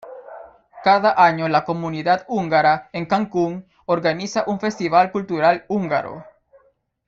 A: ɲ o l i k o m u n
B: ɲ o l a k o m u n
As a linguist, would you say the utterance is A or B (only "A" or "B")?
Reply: B